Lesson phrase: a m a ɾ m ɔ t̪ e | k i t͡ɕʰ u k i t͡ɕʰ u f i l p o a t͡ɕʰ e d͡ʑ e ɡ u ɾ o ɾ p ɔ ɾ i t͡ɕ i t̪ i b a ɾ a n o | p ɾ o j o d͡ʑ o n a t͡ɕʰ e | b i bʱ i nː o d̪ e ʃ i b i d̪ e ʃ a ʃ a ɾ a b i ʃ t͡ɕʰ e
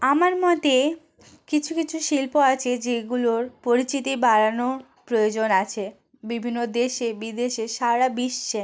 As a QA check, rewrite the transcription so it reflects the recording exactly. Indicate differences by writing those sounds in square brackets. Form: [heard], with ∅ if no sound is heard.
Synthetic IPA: a m a ɾ m ɔ t̪ e | k i t͡ɕʰ u k i t͡ɕʰ u [ʃ] i l p o a t͡ɕʰ e d͡ʑ e ɡ u [l] o ɾ p [o] ɾ i t͡ɕ i t̪ i b a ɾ a n o | p ɾ o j o d͡ʑ o n a t͡ɕʰ e | b i bʱ i nː o d̪ e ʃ [e] b i d̪ e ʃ [e] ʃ a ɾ a b i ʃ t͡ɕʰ e